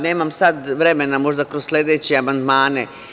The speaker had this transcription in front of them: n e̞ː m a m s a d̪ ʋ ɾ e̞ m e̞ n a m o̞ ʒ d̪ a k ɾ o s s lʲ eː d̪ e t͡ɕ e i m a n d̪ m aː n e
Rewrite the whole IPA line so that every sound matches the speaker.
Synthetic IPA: n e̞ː m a m s a d̪ ʋ ɾ e̞ m e̞ n a m o̞ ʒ d̪ a k ɾ o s s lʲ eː d̪ e t͡ɕ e a m a n d̪ m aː n e